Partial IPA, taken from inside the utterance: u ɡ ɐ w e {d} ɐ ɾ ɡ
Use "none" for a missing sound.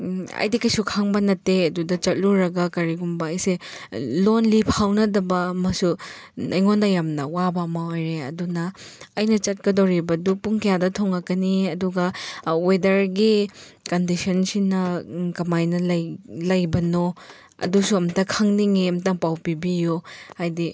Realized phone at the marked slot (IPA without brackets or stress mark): d